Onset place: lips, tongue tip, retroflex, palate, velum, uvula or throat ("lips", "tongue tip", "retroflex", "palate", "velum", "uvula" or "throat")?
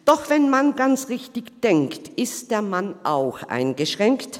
tongue tip